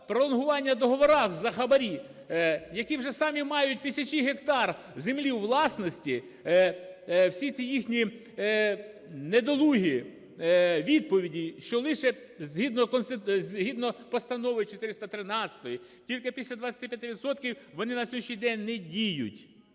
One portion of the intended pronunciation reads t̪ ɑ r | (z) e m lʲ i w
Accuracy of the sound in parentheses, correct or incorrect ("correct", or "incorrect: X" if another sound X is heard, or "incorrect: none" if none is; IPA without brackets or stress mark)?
correct